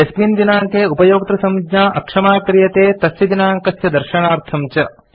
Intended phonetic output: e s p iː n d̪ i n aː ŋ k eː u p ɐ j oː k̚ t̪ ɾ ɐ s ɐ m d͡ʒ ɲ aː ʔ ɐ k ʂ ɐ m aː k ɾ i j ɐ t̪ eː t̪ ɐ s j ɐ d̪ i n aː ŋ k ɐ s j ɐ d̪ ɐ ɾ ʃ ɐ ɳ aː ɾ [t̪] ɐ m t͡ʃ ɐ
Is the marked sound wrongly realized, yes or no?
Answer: yes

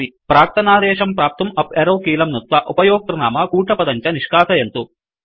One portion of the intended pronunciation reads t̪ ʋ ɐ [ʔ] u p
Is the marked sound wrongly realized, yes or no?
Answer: no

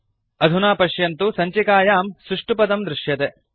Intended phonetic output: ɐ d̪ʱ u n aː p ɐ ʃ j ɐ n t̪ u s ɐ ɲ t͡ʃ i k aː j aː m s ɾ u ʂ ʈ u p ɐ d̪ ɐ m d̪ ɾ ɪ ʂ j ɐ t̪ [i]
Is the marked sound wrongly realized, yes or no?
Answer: yes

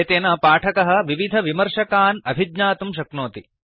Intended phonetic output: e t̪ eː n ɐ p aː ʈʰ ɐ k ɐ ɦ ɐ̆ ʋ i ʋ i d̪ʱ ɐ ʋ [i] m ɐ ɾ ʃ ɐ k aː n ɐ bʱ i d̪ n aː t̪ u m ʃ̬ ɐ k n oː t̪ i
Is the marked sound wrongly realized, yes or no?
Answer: no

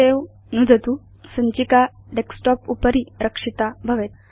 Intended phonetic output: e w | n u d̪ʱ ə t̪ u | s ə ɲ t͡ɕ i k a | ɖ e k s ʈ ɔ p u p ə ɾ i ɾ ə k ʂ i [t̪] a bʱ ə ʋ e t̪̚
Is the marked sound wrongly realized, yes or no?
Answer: no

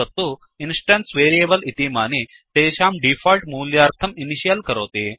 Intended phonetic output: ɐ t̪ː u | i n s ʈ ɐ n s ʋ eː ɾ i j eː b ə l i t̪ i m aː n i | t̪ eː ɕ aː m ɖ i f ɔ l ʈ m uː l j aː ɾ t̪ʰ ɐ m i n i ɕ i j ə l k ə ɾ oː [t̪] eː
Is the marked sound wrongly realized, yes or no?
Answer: no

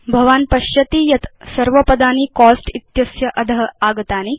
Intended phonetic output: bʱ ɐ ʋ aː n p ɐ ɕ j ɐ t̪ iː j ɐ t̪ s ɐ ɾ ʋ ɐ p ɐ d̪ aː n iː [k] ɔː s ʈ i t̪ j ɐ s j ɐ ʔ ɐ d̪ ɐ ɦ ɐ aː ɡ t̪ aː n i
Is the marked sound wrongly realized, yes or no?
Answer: no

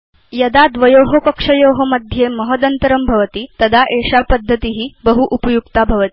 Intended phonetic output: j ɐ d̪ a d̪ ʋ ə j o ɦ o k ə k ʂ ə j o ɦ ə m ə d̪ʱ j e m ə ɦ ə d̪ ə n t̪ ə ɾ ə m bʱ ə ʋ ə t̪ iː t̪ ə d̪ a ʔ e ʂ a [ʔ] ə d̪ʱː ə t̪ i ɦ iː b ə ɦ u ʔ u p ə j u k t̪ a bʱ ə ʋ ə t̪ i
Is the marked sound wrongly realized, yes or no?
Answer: yes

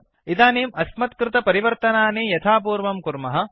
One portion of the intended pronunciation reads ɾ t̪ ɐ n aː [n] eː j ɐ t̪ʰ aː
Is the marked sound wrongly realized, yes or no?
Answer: no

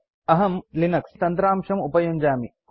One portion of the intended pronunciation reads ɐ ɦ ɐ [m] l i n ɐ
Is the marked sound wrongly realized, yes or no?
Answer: no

